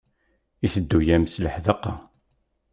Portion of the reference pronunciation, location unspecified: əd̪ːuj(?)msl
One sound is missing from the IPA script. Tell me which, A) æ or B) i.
A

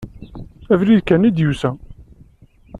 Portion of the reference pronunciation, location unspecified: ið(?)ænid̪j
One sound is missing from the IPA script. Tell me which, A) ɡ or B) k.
B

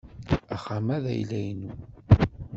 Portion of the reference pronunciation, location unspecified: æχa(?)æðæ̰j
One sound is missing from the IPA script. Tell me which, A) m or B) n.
A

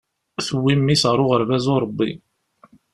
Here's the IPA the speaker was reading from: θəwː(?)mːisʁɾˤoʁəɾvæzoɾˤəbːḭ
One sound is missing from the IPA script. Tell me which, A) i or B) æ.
A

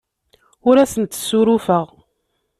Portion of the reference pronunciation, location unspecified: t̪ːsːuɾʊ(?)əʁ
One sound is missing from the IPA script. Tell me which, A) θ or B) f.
B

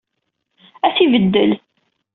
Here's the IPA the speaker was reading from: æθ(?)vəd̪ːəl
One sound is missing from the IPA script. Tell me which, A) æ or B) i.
B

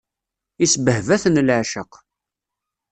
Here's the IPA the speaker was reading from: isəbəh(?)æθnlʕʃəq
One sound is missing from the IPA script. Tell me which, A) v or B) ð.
A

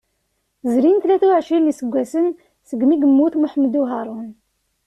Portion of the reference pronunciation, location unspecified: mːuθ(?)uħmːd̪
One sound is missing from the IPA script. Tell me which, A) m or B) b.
A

